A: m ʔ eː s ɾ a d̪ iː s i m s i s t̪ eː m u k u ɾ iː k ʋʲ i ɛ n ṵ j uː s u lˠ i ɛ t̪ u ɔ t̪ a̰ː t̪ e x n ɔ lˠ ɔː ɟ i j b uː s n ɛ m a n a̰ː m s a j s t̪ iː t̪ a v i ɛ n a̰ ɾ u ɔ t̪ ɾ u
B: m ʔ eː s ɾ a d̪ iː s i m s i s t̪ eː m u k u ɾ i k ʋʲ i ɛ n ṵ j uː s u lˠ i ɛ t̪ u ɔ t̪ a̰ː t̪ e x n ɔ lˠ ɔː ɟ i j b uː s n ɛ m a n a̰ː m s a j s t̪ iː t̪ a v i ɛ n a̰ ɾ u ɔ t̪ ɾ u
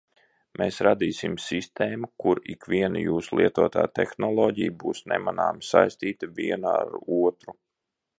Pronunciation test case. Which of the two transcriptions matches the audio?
B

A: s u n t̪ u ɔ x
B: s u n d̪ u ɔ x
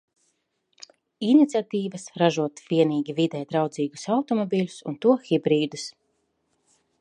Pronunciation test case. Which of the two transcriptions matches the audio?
A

